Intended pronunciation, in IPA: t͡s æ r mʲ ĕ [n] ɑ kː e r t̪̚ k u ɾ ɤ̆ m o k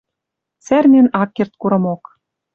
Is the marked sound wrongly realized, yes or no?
no